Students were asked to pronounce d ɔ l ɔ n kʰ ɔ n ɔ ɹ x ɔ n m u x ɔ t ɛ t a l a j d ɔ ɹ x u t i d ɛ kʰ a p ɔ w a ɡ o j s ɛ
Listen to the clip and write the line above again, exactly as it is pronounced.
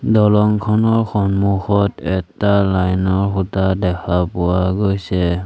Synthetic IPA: d ɔ l ɔ ŋ kʰ ɔ n ɔ ɹ x ɔ n m u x ɔ t ɛ t a l a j n ɔ ɹ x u t a d ɛ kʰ a p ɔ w a ɡ o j s ɛ